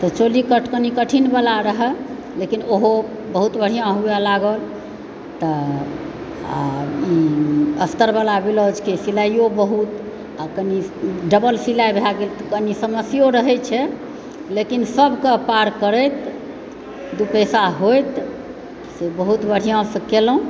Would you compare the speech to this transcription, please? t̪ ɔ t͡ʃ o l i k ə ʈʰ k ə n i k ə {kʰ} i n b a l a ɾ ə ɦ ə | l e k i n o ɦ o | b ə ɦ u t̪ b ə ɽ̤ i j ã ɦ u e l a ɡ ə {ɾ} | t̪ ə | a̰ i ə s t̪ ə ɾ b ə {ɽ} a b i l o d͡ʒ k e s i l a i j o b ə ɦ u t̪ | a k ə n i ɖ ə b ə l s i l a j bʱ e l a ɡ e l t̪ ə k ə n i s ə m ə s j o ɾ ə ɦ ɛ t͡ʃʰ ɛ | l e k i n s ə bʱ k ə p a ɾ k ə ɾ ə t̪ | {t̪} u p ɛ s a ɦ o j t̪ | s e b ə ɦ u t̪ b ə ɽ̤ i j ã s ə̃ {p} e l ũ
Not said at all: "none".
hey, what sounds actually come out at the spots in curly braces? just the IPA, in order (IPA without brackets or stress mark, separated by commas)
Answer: ʈʰ, l, l, d̪, k